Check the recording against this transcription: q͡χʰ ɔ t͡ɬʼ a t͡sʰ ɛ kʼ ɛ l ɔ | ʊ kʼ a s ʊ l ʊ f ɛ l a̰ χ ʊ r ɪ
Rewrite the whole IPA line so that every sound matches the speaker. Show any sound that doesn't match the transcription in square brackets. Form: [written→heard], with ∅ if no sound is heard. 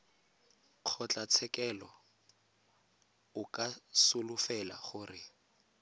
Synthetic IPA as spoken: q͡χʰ ɔ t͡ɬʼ a t͡sʰ ɛ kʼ ɛ l ɔ | ʊ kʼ a s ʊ l ʊ f ɛ l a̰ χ ʊ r ɪ